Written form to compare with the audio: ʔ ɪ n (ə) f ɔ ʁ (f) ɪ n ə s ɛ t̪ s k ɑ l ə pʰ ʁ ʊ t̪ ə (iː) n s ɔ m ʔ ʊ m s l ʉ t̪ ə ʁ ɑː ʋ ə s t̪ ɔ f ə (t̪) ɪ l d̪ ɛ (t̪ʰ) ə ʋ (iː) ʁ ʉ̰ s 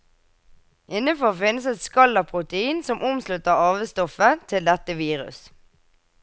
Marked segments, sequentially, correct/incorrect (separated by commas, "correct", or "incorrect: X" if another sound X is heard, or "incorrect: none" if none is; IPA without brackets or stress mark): correct, correct, correct, incorrect: t̪ʰ, incorrect: t̪, correct